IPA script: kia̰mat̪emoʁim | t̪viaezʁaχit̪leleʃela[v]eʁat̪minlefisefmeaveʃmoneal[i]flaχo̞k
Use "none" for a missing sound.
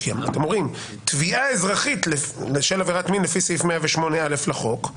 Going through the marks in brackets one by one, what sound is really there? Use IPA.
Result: v, e

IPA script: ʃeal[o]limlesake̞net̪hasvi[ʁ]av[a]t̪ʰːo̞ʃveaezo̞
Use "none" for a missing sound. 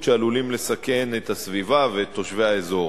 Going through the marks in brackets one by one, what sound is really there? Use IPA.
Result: u, v, e

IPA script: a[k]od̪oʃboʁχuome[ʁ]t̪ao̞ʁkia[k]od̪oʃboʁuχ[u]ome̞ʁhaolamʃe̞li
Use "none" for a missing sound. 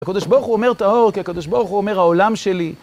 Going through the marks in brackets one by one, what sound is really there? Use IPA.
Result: k, ʁ, k, u

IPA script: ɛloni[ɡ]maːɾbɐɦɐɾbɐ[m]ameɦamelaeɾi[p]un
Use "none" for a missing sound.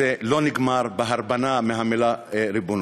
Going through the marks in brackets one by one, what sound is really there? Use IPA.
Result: ɡ, n, b

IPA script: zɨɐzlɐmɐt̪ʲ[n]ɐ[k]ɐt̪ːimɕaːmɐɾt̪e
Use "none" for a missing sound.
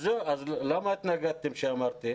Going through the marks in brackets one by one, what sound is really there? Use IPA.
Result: n, ɡ

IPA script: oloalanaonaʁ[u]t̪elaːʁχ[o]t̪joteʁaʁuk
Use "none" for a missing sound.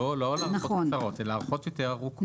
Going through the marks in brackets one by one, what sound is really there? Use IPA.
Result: o, o

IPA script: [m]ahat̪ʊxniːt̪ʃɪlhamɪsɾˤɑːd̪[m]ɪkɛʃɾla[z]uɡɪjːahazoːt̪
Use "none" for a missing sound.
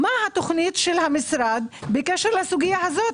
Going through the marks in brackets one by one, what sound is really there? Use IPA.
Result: m, b, s

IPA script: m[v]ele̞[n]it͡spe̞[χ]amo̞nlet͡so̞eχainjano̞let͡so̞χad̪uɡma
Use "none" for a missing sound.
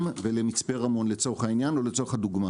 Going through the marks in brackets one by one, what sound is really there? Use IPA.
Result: v, m, ʁ

